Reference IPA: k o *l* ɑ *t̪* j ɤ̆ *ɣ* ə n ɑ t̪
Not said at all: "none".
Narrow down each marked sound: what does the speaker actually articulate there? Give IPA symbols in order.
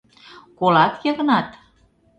l, t̪, ɣ

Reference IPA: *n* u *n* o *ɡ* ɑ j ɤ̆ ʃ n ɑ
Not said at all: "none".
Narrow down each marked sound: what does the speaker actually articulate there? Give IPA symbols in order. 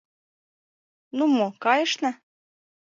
n, m, k

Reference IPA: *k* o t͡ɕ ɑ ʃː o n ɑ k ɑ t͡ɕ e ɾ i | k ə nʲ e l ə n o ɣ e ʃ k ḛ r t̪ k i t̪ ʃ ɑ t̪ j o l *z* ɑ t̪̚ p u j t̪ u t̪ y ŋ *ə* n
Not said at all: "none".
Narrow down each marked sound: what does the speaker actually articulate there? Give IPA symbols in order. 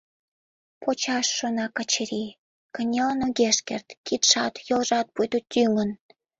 p, ʒ, ə

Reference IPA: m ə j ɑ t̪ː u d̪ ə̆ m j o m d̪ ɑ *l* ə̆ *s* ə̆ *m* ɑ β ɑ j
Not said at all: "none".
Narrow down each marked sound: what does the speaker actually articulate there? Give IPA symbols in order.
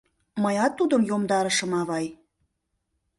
ɾ, ʃ, m

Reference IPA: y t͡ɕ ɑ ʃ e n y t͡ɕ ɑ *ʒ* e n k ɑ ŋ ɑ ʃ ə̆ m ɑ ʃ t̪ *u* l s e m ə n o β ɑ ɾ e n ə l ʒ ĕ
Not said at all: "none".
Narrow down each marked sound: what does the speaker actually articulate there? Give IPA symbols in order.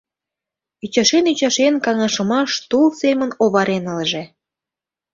ʃ, u

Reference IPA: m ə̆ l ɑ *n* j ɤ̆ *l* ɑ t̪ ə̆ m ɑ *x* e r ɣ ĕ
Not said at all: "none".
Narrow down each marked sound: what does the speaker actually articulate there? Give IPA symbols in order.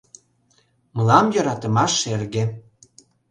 m, ɾ, ʃ

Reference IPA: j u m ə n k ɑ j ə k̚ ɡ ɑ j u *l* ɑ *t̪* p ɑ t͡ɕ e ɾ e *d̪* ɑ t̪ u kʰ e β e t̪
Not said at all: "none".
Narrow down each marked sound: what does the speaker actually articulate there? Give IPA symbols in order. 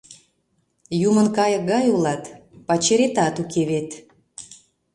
l, t̪, t̪

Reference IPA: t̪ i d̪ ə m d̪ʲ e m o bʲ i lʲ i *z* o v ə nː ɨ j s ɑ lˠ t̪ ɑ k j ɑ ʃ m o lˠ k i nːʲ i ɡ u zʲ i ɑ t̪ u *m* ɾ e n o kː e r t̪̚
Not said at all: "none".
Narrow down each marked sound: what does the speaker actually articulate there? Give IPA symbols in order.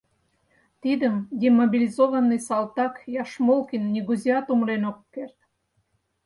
z, m

